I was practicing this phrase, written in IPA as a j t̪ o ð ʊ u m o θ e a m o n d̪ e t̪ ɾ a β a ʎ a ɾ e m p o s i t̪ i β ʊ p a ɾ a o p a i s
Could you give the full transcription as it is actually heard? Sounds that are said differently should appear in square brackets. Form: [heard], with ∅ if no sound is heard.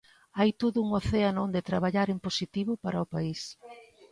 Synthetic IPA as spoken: a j t̪ o ð ʊ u [ŋ] o θ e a [n] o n d̪ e t̪ ɾ a β a ʎ a ɾ e m p o s i t̪ i β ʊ p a ɾ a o p a i s